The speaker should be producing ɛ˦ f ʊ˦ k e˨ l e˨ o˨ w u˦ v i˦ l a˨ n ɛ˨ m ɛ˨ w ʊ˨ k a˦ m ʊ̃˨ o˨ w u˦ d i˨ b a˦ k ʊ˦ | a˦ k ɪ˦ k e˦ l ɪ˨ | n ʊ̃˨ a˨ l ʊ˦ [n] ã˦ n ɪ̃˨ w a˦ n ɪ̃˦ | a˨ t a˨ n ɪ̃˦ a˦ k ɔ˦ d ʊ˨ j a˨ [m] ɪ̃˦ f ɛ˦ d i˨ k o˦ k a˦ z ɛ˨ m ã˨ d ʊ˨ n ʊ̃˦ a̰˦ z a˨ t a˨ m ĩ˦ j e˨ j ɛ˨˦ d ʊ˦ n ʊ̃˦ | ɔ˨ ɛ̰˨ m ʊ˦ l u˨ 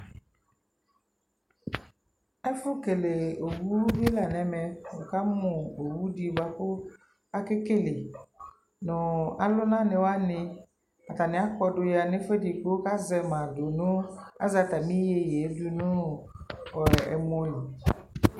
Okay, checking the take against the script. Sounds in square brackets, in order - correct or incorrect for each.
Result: correct, incorrect: n

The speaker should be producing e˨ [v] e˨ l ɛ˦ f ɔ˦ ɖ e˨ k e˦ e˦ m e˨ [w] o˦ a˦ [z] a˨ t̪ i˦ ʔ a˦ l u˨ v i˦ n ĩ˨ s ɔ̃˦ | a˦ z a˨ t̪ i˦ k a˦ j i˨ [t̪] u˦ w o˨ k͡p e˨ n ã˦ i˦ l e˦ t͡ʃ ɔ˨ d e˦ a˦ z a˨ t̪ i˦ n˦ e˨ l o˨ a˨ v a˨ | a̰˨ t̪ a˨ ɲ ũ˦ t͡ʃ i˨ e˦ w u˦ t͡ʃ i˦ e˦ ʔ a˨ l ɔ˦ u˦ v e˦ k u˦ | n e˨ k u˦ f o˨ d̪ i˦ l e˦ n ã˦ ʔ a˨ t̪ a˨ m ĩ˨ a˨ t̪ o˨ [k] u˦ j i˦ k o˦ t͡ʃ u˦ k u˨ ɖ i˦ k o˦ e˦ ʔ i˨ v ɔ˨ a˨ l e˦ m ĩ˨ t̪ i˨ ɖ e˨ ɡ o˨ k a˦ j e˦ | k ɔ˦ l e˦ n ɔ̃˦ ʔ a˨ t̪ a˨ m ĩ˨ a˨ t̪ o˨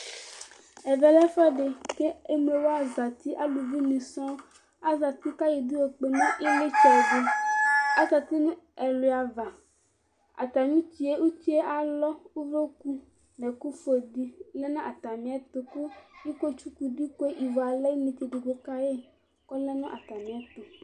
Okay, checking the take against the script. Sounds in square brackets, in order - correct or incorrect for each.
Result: correct, correct, correct, incorrect: d̪, correct

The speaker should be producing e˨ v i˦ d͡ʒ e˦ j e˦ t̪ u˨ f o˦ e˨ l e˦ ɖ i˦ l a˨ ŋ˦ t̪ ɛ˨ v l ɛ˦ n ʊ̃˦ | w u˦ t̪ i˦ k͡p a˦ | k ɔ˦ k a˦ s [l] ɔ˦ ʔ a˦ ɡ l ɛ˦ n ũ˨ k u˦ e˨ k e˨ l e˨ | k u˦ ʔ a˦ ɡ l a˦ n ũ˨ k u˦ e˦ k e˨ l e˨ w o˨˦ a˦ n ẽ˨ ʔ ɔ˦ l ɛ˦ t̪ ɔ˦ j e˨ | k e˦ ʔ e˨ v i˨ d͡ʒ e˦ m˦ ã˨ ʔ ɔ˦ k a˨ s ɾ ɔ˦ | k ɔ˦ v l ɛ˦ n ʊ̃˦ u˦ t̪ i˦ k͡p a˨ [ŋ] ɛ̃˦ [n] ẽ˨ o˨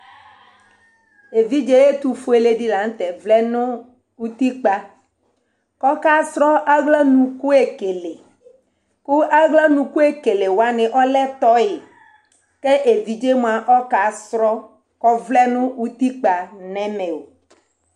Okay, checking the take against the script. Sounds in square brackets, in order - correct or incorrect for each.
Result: incorrect: ɾ, incorrect: n, incorrect: m

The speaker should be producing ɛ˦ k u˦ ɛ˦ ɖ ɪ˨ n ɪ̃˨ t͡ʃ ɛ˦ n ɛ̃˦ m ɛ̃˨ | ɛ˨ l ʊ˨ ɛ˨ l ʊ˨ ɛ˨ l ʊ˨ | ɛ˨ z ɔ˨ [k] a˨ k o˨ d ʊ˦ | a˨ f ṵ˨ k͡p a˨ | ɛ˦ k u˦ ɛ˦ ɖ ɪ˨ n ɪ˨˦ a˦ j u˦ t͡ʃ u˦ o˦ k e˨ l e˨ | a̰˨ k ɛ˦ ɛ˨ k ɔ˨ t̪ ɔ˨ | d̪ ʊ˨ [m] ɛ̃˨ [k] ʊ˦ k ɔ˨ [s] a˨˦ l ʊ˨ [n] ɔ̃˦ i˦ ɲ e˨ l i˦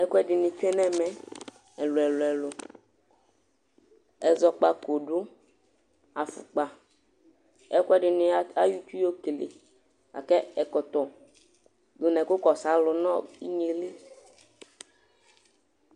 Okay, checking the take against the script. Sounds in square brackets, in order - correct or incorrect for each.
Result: incorrect: k͡p, incorrect: n, correct, correct, correct

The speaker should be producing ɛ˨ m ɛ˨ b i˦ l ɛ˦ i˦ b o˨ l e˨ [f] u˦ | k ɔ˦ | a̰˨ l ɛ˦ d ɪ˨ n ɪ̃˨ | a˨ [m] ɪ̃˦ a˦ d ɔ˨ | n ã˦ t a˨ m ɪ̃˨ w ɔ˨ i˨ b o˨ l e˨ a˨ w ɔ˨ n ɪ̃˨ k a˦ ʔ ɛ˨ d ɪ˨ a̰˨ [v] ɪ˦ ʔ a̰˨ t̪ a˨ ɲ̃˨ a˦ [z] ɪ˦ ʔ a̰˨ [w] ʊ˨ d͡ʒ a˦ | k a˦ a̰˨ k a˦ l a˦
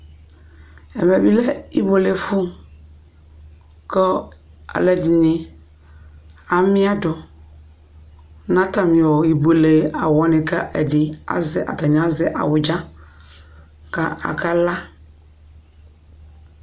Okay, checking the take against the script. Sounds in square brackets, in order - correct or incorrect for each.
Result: correct, correct, incorrect: z, correct, correct

